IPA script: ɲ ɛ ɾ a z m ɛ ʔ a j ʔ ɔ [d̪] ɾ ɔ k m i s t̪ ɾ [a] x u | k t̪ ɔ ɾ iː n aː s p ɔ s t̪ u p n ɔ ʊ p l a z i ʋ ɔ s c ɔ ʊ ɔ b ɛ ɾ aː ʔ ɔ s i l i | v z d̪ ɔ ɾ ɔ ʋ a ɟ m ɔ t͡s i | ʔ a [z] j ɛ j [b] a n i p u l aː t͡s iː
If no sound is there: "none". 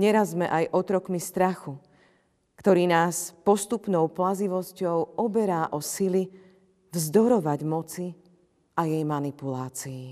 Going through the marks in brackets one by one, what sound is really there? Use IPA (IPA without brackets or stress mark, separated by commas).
t̪, a, none, m